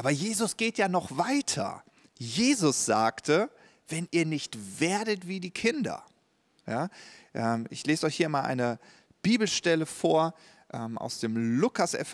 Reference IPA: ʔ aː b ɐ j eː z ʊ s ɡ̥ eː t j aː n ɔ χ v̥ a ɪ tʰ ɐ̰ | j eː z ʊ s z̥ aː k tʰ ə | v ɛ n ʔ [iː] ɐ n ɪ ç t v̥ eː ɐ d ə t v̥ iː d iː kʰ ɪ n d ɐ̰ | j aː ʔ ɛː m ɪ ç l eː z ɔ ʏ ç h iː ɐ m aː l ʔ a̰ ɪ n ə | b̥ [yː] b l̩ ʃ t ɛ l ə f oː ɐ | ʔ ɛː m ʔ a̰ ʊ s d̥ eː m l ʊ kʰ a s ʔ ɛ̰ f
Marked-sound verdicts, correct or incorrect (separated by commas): correct, incorrect